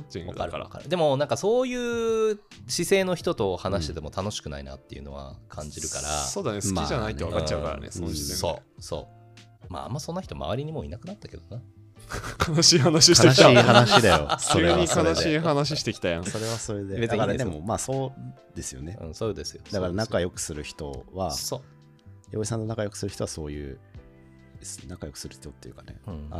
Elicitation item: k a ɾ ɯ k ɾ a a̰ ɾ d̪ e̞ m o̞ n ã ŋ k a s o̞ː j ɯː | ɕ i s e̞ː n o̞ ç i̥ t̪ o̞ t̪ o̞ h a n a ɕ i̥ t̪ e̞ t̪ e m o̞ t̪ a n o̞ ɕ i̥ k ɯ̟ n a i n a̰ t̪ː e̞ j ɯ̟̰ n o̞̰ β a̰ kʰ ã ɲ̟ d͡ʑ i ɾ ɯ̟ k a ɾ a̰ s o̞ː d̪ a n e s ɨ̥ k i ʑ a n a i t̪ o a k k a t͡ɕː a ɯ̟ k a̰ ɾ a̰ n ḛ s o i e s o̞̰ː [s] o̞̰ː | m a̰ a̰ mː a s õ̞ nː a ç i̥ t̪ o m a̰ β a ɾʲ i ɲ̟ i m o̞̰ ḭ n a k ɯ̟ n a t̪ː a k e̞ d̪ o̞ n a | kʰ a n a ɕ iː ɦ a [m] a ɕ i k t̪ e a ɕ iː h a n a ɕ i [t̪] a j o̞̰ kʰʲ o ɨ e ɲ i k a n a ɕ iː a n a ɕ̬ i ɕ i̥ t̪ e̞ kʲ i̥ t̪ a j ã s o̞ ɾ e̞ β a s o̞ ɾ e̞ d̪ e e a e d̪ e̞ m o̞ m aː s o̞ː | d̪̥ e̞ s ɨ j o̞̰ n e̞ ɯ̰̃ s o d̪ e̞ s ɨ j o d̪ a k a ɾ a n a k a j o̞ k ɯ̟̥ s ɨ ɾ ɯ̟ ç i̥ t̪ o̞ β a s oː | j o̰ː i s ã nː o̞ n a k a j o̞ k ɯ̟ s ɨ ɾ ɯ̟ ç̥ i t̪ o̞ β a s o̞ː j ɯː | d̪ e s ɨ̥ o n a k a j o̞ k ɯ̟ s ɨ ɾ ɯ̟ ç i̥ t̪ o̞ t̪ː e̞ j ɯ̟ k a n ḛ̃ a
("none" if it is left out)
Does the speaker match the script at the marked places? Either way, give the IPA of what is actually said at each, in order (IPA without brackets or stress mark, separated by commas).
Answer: s, n, d̪